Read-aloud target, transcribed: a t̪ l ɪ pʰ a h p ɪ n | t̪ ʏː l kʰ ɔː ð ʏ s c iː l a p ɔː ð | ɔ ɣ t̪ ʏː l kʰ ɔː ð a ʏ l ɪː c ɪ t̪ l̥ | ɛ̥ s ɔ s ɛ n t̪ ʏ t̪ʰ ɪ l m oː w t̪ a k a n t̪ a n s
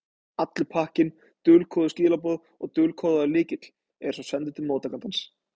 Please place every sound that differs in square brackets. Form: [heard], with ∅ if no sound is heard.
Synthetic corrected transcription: a t̪ l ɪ pʰ a h [c] ɪ n | t̪ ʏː l kʰ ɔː ð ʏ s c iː l a p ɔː ð | ɔ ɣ t̪ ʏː l kʰ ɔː ð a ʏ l ɪː c ɪ t̪ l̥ | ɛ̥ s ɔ s ɛ n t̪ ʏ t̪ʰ ɪ l m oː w t̪ a k a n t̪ a n s